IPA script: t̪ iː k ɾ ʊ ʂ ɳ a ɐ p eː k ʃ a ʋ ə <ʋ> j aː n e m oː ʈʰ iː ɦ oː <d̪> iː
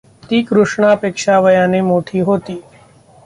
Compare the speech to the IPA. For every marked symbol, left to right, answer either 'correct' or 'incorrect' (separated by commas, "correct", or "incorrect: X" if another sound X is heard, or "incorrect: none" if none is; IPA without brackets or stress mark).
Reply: incorrect: none, incorrect: t̪